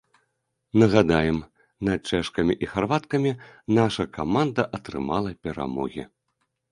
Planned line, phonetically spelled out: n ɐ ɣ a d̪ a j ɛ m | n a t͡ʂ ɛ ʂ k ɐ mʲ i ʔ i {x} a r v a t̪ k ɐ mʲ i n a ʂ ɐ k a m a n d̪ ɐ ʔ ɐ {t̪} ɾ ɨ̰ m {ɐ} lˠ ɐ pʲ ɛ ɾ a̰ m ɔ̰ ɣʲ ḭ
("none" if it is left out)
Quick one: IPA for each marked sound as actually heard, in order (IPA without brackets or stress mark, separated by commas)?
x, t̪, a